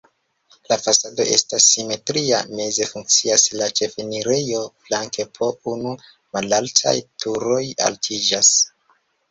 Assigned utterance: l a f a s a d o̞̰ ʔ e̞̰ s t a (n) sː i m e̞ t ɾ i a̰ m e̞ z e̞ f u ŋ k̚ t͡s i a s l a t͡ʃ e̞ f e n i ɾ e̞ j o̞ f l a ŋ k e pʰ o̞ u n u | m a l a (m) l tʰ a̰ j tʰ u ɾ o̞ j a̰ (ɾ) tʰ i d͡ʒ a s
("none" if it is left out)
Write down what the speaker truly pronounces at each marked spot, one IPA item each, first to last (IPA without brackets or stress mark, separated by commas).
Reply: none, none, l